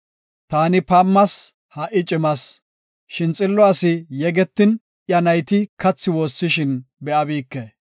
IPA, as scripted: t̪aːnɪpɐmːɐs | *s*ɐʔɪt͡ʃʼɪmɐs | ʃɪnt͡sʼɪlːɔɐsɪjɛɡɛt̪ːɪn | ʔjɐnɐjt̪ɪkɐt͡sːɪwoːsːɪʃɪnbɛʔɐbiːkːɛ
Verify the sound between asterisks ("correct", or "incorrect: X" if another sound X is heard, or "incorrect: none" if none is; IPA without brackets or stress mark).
incorrect: h